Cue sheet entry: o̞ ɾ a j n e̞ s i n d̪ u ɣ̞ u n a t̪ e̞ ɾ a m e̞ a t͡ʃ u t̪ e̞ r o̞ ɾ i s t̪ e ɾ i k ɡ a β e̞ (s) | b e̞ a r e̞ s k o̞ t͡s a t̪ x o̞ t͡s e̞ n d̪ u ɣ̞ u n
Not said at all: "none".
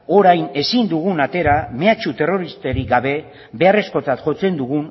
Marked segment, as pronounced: none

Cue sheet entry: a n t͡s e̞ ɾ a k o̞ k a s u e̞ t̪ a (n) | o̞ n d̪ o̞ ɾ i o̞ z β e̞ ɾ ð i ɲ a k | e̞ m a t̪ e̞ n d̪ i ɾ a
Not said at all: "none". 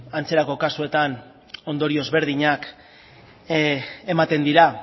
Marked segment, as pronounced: n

